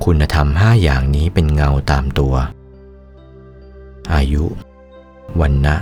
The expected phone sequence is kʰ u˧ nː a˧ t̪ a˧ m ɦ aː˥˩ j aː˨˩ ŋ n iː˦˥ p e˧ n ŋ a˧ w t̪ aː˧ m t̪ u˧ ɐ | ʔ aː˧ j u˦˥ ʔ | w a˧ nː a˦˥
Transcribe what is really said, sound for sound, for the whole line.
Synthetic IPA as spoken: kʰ u˧ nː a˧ t̪ʰ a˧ m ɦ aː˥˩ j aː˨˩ ŋ n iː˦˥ p e˧ n ŋ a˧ w t̪ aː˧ m t̪ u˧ ɐ | ʔ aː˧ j u˦˥ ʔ | w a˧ nː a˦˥